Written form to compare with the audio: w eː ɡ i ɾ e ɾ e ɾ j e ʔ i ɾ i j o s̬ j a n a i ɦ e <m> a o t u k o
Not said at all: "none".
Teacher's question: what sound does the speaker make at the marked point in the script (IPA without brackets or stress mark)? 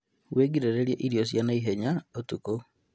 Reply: ɲ